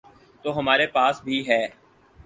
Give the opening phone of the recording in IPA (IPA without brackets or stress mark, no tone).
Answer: t̪